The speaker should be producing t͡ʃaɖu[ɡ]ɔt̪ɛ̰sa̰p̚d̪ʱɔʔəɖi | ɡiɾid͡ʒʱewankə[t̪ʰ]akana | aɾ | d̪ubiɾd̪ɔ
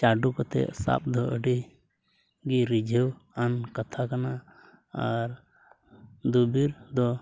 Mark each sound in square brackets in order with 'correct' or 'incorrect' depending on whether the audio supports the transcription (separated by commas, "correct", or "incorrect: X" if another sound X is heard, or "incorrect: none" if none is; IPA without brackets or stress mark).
incorrect: k, correct